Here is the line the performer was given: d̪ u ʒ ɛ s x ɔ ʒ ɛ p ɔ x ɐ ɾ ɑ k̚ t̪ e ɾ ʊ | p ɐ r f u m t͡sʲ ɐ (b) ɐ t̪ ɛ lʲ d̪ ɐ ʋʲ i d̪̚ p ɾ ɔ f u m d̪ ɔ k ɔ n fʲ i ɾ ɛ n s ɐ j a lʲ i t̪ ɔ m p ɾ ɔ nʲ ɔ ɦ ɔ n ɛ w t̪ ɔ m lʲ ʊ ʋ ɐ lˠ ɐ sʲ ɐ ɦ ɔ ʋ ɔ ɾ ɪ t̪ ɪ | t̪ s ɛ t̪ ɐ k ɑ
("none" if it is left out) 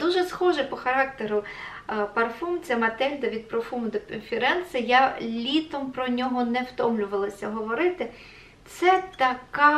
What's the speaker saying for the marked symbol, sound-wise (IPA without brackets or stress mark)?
m